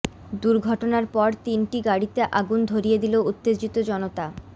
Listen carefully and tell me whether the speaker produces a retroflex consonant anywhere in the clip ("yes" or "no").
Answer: yes